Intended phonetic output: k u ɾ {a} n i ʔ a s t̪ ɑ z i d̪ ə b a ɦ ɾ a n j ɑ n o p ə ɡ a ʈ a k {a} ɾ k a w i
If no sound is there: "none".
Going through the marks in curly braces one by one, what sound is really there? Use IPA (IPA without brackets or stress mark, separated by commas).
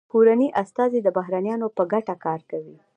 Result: a, ɑ